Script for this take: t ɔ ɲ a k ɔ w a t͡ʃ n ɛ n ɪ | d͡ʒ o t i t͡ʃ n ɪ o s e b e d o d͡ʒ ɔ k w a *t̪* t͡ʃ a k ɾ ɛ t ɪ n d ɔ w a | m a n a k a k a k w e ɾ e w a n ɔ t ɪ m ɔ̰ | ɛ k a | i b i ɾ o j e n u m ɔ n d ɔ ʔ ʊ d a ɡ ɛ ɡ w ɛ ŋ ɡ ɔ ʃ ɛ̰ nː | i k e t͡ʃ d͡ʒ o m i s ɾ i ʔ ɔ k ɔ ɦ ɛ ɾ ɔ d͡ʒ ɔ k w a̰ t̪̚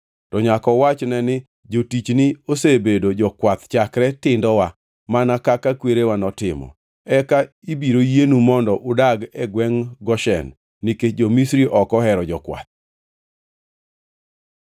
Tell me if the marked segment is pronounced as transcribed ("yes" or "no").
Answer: yes